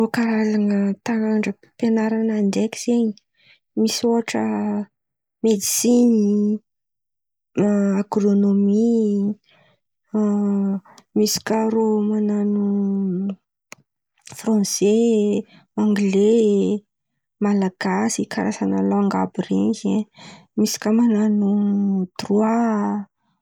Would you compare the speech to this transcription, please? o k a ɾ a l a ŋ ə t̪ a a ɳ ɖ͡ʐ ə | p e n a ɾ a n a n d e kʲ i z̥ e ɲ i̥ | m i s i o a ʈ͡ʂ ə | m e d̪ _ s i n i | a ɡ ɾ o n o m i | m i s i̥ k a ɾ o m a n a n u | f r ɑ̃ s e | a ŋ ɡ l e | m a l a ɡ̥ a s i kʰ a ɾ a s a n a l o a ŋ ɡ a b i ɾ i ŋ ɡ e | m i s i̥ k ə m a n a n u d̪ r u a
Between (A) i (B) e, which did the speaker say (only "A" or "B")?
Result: A